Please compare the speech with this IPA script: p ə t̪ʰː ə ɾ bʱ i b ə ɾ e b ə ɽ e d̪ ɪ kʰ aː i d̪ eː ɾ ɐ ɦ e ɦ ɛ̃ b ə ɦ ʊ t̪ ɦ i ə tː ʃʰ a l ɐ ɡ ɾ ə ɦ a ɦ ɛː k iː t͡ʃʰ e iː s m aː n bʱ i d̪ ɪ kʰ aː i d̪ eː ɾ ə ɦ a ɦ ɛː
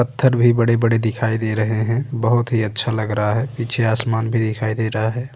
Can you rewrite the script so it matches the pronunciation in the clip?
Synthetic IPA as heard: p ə t̪ʰː ə ɾ bʱ i b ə ɽ e b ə ɽ e d̪ ɪ kʰ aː i d̪ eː ɾ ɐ ɦ e ɦ ɛ̃ b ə ɦ ʊ t̪ ɦ i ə tː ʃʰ a l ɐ ɡ ɾ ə ɦ a ɦ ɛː p iː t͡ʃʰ e aː s m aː n bʱ i d̪ ɪ kʰ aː i d̪ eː ɾ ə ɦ a ɦ ɛː